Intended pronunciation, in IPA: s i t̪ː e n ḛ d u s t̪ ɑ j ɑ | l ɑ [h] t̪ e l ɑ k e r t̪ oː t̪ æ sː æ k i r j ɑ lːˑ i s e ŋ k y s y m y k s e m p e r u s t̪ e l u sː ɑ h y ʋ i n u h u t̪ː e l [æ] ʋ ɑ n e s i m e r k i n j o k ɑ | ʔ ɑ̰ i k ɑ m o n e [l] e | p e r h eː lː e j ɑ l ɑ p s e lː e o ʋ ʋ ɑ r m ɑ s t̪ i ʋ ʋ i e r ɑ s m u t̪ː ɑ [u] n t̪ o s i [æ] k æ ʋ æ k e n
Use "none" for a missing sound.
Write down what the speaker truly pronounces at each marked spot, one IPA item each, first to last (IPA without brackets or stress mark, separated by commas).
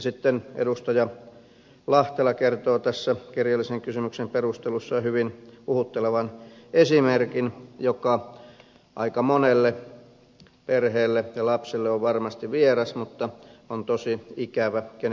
h, e, lː, o, i